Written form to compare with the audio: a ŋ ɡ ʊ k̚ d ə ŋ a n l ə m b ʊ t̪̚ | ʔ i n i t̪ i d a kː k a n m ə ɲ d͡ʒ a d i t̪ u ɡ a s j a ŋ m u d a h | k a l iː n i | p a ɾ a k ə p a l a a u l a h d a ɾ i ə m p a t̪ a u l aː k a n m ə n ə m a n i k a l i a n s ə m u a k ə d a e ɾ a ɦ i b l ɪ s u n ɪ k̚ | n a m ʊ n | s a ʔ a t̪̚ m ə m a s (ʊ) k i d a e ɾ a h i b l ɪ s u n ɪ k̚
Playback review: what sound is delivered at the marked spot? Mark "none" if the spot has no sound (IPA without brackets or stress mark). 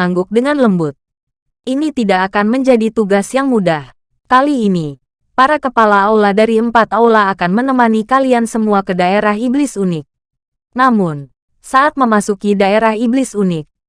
u